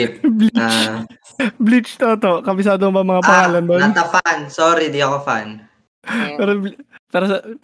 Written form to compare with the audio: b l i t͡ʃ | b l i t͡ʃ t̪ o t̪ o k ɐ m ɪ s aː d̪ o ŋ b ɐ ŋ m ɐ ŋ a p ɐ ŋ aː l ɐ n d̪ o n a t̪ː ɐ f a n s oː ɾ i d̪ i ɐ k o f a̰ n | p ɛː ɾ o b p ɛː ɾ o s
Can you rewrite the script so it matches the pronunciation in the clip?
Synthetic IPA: b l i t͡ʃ | b l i t͡ʃ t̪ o t̪ o k ɐ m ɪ s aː d̪ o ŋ b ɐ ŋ m ɐ ŋ a p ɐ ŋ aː l ɐ n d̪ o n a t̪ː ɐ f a n s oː ɾ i d̪ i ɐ k o f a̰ n | p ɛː ɾ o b p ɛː ɾ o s